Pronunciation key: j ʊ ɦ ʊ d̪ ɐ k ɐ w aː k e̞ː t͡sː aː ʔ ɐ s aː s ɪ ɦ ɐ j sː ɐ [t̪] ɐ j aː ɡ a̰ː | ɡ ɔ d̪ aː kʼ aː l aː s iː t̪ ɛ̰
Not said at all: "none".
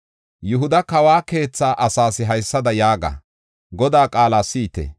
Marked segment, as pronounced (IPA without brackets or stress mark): d̪